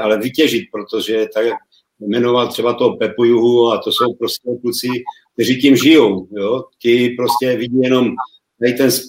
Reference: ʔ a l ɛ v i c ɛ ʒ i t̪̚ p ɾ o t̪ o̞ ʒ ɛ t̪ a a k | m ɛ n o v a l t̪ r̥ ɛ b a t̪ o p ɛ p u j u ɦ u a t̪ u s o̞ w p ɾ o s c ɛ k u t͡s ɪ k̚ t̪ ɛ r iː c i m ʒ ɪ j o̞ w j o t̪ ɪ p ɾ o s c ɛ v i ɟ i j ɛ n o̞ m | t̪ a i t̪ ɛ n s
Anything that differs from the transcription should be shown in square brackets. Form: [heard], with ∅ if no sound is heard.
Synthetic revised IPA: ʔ a l ɛ v i c ɛ ʒ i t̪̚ p ɾ o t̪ o̞ ʒ ɛ t̪ a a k | m ɛ n o v a l t̪ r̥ ɛ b a t̪ o p ɛ p u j u ɦ u a t̪ [o] s o̞ w p ɾ o s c ɛ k u t͡s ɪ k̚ t̪ ɛ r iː c i m ʒ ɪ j o̞ w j o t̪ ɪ p ɾ o s c ɛ v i ɟ i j ɛ n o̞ m | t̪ a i t̪ ɛ n s